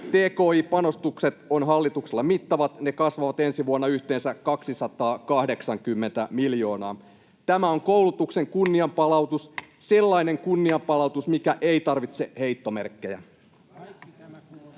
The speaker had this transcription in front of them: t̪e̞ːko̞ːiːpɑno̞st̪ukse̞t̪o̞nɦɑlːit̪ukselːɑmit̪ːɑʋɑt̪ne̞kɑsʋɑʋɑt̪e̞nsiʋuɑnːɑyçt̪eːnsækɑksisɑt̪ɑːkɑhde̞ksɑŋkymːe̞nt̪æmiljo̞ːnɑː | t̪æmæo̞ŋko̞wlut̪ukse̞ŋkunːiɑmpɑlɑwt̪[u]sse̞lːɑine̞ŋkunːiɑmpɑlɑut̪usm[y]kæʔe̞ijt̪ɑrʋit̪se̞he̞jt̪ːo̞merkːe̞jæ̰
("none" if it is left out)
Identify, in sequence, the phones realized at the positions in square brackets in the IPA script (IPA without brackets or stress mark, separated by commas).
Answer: u, i